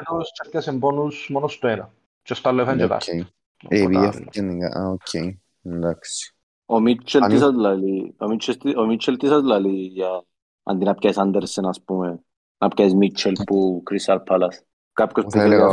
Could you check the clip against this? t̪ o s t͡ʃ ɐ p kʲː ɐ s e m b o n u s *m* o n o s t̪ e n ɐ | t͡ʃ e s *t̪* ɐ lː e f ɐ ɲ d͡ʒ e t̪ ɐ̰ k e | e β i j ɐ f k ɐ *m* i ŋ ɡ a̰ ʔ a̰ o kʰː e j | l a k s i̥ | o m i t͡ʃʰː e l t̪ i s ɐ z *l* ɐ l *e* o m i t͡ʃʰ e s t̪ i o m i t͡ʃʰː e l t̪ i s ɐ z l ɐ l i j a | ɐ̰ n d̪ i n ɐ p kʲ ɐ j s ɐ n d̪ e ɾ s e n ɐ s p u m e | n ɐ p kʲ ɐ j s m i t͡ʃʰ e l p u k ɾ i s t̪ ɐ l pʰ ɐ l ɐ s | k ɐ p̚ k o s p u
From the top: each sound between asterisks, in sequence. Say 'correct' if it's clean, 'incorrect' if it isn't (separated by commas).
correct, correct, incorrect, correct, incorrect